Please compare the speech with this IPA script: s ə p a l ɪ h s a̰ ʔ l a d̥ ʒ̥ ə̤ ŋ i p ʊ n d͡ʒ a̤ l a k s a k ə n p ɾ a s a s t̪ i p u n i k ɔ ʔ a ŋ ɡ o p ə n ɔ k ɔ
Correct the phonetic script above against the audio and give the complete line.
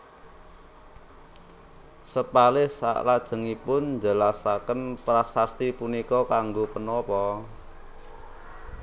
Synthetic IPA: s ə p a l ɪ h s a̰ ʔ l a d̥ ʒ̥ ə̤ ŋ i p ʊ n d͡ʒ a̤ l a s a k ə n p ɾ a s a s t̪ i p u n i k ɔ k a ŋ ɡ o p ə n ɔ p ɔ